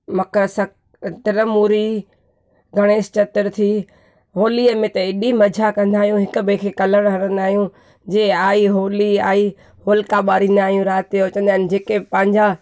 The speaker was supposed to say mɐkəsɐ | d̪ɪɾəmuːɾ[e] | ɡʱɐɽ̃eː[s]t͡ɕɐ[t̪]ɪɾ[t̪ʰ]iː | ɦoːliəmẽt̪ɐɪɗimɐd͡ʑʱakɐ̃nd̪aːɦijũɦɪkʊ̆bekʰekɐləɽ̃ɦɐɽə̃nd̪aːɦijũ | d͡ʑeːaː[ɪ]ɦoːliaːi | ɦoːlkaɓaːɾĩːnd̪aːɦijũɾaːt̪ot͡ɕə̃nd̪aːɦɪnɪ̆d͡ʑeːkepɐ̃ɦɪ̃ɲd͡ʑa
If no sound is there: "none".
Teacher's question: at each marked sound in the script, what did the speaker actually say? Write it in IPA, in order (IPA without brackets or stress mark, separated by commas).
i, s, t̪, t̪ʰ, i